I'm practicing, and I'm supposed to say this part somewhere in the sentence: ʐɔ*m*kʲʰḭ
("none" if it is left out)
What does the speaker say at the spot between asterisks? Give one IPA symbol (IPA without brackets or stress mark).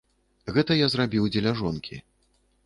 n